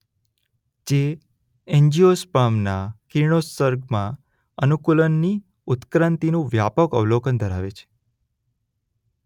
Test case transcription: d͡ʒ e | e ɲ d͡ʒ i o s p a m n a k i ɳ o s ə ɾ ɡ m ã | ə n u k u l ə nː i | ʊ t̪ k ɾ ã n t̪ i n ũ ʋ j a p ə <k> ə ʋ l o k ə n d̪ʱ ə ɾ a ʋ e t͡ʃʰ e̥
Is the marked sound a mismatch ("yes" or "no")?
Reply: no